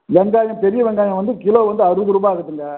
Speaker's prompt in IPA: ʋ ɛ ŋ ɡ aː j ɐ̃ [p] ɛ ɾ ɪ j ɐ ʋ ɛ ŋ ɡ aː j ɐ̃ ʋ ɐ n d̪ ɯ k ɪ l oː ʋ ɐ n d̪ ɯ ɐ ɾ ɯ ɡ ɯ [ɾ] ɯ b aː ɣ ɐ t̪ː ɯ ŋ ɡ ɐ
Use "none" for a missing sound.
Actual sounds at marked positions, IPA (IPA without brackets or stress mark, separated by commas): p, ɾ